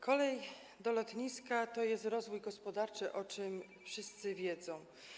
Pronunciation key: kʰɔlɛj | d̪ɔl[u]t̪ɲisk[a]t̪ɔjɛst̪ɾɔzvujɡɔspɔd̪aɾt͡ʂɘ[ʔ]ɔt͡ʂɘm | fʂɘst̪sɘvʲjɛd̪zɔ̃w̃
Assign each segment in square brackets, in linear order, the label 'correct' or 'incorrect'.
incorrect: ɔ, correct, correct

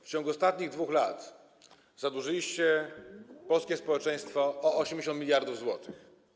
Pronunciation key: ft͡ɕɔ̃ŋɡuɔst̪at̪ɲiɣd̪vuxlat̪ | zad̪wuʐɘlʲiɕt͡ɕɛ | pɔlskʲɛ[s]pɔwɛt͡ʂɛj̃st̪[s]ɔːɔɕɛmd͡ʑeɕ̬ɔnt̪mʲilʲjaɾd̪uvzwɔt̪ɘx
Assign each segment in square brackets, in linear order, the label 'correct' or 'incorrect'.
correct, incorrect: f

